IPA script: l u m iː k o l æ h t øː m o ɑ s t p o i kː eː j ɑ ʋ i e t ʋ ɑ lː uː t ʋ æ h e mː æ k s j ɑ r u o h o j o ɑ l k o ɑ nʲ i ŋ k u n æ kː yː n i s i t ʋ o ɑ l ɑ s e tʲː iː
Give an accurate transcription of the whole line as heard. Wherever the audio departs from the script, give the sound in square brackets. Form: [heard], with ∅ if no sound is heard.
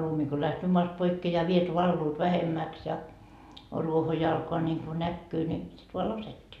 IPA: l u m [i] k o l æ h t øː m o ɑ s t p o i kː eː j ɑ ʋ i e t ʋ ɑ lː uː t ʋ æ h e mː æ k s j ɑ r u o h o j o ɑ l k o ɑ nʲ i ŋ k u n æ kː yː n i s i t ʋ o ɑ l ɑ s e tʲː iː